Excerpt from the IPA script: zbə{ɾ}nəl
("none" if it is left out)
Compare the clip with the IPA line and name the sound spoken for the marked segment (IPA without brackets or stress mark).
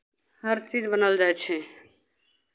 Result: none